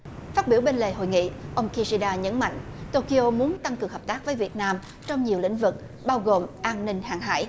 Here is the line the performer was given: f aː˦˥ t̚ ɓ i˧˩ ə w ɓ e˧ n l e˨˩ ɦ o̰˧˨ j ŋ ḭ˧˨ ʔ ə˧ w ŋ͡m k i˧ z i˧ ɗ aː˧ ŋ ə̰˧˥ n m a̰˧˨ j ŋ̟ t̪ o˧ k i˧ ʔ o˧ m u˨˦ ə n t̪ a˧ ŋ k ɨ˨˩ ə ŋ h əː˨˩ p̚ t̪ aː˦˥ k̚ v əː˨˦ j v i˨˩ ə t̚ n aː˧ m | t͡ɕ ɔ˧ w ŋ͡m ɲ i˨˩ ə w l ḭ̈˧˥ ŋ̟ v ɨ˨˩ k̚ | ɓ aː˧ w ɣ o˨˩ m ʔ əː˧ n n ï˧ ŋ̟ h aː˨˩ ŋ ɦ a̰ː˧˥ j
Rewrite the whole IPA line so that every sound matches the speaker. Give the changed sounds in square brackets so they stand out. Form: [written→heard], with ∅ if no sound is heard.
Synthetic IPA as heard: f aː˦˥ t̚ ɓ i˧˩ ə w ɓ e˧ n l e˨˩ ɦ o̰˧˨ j ŋ ḭ˧˨ ʔ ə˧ w ŋ͡m k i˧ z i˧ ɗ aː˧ [ŋ→ɲ] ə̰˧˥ n m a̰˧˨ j ŋ̟ t̪ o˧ k i˧ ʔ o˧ m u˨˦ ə n t̪ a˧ ŋ k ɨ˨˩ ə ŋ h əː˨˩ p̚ t̪ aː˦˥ k̚ v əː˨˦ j v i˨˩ ə t̚ n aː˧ m | t͡ɕ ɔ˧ w ŋ͡m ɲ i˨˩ ə w l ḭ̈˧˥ ŋ̟ v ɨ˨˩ k̚ | ɓ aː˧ w ɣ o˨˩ m ʔ [əː˧→aː˧] n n ï˧ ŋ̟ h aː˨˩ ŋ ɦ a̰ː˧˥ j

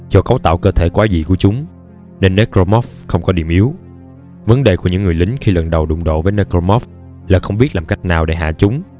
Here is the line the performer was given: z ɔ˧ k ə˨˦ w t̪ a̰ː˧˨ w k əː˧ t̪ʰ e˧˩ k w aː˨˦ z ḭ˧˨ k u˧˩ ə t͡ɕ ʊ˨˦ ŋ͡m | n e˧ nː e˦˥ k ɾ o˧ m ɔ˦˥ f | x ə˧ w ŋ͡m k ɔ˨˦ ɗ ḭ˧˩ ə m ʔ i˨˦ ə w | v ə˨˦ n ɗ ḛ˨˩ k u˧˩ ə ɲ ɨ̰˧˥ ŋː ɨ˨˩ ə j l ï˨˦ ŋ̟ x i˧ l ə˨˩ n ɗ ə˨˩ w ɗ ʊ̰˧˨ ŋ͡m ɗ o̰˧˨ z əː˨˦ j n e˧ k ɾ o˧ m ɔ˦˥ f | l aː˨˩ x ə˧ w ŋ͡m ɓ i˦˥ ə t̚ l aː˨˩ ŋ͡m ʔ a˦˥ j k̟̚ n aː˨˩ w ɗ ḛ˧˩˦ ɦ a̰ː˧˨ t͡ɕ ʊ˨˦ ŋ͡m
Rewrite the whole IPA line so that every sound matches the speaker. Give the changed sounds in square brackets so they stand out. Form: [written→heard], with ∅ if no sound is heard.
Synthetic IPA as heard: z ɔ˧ k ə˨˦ w t̪ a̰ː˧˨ w k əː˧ t̪ʰ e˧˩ k w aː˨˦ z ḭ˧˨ k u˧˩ ə t͡ɕ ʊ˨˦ ŋ͡m | n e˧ nː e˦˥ k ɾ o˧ m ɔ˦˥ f | x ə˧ w ŋ͡m k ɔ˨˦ ɗ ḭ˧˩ ə m ʔ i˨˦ ə w | v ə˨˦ n ɗ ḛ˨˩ k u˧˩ ə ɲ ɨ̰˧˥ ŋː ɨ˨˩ ə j l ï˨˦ ŋ̟ x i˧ l ə˨˩ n ɗ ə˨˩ w ɗ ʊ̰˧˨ ŋ͡m ɗ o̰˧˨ [z→v] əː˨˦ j n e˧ k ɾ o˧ m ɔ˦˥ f | l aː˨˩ x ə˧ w ŋ͡m ɓ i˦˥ ə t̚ l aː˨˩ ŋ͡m [ʔ→k] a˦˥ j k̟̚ n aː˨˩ w ɗ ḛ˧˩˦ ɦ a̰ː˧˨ t͡ɕ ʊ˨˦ ŋ͡m

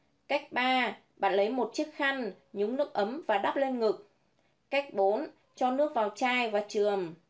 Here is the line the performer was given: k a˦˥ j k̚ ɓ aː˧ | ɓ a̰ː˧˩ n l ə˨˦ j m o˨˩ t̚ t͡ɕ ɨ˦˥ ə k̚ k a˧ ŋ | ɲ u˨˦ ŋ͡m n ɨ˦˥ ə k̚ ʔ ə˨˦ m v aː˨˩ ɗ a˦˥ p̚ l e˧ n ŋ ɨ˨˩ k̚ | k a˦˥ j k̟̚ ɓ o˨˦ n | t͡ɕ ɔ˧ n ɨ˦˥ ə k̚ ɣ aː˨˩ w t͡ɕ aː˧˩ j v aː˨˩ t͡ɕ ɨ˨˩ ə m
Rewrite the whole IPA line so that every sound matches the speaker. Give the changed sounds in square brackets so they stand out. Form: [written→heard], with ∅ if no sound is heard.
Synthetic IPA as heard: k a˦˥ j k̚ ɓ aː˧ | ɓ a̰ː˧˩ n l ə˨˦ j m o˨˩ t̚ t͡ɕ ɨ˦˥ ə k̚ [k→x] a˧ ŋ | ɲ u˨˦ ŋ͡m n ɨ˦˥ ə k̚ ʔ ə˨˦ m v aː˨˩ ɗ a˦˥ p̚ l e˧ n ŋ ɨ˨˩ k̚ | k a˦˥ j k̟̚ ɓ o˨˦ n | t͡ɕ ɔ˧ n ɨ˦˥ ə k̚ [ɣ→v] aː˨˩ w t͡ɕ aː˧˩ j v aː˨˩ t͡ɕ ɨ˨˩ ə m

